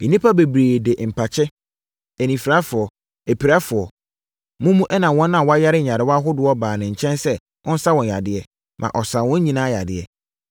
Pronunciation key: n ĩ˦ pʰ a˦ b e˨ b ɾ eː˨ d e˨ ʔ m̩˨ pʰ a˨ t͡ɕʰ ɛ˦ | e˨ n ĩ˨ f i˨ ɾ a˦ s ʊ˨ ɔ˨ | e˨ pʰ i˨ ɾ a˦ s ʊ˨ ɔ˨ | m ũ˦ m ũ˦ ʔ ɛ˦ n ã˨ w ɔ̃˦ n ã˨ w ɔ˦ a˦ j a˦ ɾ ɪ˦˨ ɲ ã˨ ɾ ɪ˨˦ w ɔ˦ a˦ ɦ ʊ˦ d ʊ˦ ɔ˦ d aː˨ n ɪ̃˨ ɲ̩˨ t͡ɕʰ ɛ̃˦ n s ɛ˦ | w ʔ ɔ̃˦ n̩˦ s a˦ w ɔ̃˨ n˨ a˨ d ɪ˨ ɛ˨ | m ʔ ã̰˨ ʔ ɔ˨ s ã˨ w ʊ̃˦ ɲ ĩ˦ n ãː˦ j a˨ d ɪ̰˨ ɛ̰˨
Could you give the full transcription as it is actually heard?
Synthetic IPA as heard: n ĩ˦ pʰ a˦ b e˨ b ɾ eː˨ d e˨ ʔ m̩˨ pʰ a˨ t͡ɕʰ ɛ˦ | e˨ n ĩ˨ f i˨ ɾ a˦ f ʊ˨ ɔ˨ | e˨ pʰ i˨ ɾ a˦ f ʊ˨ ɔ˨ | m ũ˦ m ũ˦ ʔ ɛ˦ n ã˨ w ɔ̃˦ n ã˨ w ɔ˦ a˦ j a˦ ɾ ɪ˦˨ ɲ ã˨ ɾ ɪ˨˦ w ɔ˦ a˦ ɦ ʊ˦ d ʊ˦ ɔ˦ b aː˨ n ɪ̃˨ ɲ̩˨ t͡ɕʰ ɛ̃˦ n s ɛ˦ | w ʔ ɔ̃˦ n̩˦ s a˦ w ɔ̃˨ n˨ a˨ d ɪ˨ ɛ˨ | m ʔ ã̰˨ ʔ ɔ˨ s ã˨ w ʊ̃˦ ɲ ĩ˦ n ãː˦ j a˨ d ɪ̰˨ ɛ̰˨